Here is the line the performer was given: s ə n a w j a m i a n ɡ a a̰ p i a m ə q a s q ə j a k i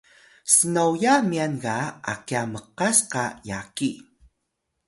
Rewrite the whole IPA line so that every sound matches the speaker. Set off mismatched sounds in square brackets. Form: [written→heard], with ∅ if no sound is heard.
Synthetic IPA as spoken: s ə n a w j a m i a n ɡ a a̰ [p→k] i a m ə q a s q [ə→a] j a k i

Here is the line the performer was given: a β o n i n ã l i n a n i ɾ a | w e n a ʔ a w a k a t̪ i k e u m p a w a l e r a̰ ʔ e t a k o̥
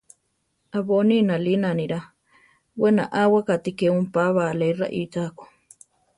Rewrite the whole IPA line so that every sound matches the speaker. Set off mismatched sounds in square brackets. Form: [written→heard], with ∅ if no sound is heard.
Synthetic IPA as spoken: a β o n i n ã l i n a n i ɾ a | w e n a ʔ a w a k a t̪ i k e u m p a [w→β] a l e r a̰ ʔ [e→i] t a k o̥

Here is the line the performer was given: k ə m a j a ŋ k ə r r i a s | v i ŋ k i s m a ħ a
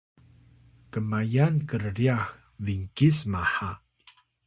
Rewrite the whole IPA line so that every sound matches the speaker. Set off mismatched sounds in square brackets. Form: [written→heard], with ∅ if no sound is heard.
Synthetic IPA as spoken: k ə m a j a [ŋ→n] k ə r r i a [s→x] | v i ŋ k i s m a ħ a

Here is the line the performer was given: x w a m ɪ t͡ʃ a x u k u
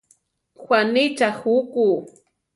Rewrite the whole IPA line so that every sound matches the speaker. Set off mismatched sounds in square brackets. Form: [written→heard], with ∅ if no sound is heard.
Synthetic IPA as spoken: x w a [m→n] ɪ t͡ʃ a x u k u

